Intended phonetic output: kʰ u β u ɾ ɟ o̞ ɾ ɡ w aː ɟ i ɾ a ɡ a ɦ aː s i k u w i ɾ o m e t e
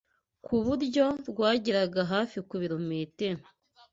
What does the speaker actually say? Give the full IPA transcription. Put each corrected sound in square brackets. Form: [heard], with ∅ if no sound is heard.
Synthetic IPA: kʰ u β u ɾ ɟ o̞ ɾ ɡ w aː ɟ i ɾ a ɡ a ɦ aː [f] i k u [β] i ɾ o m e t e